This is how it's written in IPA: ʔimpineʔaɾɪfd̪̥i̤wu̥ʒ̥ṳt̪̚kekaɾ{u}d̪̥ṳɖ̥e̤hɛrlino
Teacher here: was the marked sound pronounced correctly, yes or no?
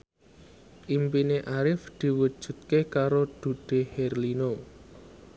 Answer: no